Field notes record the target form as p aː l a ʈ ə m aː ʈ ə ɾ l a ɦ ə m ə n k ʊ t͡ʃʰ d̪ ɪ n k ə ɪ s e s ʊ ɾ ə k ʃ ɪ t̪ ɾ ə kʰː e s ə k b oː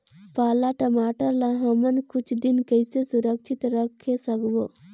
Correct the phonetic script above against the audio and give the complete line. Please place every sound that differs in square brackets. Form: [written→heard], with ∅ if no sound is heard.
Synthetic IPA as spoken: p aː l a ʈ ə m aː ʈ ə ɾ l a ɦ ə m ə n k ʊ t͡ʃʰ d̪ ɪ n k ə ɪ s e s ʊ ɾ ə k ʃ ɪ t̪ ɾ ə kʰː e s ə k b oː